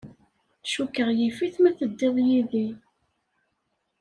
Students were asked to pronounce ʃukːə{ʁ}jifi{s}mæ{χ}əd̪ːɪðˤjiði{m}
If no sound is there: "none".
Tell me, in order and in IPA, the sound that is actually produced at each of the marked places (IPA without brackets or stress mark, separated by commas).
ʁ, θ, θ, none